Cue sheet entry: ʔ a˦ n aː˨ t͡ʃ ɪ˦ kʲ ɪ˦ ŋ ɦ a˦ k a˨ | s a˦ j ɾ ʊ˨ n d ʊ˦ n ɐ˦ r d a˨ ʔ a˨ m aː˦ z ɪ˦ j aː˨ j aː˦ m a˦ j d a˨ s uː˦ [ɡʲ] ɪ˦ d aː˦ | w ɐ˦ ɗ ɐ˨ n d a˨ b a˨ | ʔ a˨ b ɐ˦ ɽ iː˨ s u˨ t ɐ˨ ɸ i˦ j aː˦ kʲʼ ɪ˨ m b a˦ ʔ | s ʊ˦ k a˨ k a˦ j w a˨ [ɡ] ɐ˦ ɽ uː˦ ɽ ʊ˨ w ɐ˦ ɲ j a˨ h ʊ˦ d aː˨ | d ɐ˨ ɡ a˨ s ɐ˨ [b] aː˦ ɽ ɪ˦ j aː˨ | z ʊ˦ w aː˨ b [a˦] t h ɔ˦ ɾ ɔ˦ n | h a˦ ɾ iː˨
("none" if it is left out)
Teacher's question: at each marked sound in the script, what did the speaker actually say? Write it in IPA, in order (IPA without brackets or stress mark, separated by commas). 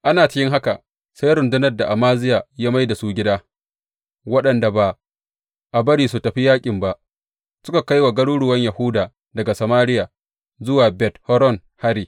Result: ɡʲ, ɡ, m, ɛ˦